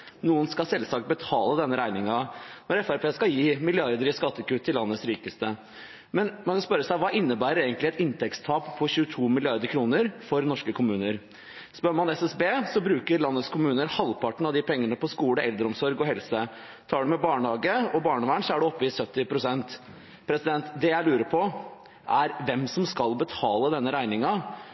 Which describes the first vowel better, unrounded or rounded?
rounded